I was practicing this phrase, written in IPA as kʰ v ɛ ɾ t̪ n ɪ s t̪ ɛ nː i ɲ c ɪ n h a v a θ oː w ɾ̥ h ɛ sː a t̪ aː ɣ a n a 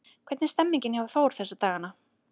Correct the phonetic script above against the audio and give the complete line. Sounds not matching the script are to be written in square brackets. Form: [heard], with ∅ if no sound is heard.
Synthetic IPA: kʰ v ɛ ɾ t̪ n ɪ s t̪ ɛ [mː] i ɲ c ɪ n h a v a θ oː w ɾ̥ [θ] ɛ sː a t̪ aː ɣ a n a